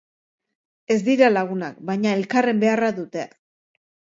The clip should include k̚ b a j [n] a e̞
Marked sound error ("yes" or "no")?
yes